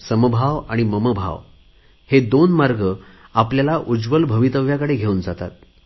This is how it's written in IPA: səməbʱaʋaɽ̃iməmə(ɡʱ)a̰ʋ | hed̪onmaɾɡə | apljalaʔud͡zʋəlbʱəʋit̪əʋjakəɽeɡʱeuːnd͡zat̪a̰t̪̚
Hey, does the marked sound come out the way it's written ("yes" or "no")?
no